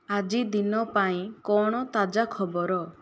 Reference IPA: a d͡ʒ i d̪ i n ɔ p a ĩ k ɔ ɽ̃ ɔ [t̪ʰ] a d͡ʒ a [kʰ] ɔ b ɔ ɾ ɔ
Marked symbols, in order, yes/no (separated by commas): no, yes